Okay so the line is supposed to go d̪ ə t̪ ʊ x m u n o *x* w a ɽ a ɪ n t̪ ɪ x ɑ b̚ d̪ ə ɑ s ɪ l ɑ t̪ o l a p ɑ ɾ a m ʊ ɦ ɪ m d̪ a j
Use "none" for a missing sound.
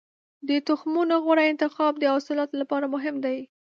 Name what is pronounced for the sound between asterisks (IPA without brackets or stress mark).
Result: ɣ